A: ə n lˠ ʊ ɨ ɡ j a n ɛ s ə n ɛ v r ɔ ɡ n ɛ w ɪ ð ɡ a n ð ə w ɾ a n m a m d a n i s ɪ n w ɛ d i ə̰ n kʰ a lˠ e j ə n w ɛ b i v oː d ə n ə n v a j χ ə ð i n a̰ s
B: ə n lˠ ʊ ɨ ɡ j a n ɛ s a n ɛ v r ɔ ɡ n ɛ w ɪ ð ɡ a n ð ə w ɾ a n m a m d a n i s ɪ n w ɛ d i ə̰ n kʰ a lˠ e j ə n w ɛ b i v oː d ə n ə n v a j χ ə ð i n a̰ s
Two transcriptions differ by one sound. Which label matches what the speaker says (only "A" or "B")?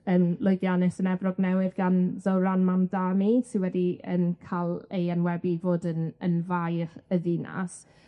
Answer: A